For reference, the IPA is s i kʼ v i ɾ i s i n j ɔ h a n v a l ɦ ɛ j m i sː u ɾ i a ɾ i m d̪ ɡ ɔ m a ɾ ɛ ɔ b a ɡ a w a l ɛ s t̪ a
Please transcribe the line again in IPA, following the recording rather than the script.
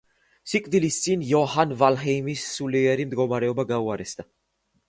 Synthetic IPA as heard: s i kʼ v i l i s i n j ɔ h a n v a l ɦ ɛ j m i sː u l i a ɾ i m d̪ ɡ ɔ m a ɾ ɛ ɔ b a ɡ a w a ɾ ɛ s t̪ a